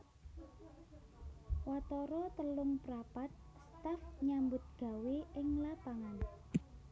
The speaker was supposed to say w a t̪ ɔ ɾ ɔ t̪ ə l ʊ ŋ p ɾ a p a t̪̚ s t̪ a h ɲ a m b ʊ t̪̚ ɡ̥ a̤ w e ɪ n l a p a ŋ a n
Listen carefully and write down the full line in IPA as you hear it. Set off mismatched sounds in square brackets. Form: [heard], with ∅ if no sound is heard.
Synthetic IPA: w a t̪ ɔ ɾ ɔ t̪ ə l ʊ ŋ p ɾ a p a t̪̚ s t̪ a [f] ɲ a m b ʊ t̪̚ ɡ̥ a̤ w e ɪ [ŋ] l a p a ŋ a n